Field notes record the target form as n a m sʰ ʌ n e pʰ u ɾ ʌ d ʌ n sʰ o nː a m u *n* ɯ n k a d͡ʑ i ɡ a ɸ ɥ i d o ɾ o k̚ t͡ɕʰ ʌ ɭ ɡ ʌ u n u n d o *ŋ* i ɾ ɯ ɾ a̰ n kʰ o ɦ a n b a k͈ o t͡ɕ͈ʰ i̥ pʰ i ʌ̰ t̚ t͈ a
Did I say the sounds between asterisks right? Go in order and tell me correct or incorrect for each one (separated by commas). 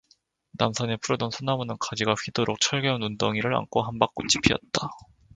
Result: correct, correct